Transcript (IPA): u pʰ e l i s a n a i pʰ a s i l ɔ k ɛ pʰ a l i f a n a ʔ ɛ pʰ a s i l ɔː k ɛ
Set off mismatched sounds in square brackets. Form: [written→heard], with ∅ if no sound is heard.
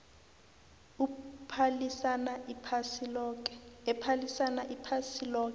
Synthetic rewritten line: u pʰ [e→a] l i s a n a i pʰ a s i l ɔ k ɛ pʰ a l i [f→s] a n a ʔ [ɛ→i] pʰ a s i l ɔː k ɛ